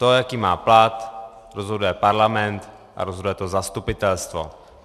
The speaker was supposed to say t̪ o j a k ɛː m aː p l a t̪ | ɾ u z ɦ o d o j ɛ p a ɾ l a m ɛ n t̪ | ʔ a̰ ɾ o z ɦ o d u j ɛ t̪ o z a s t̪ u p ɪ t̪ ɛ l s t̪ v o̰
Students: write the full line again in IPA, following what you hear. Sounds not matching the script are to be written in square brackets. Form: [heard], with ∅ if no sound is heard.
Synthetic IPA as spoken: t̪ o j a k [iː] m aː p l a t̪ | ɾ [o] z ɦ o d [u] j ɛ p a ɾ l a m ɛ n t̪ | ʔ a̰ ɾ o z ɦ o d u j ɛ t̪ o z a s t̪ u p ɪ t̪ ɛ l s t̪ v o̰